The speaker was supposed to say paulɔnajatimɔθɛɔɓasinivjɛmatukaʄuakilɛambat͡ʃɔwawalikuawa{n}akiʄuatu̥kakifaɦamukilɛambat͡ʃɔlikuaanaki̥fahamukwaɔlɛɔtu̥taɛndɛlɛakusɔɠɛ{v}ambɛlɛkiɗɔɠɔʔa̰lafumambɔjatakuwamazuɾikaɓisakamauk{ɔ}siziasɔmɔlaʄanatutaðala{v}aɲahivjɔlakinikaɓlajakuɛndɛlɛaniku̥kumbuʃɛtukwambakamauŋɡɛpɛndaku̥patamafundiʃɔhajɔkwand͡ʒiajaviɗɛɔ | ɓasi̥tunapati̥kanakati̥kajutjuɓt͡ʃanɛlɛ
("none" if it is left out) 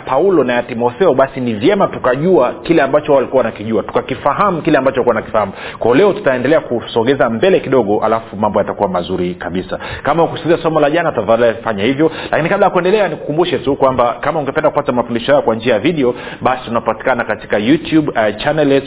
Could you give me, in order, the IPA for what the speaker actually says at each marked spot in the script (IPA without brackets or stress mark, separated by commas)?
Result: n, z, u, f